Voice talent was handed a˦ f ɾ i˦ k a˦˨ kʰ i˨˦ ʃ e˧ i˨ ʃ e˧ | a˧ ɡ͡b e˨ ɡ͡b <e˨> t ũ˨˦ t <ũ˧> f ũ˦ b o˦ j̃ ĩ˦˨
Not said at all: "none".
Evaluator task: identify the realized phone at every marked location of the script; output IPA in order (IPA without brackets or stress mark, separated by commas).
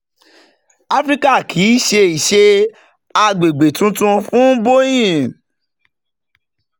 e˨, ũ˧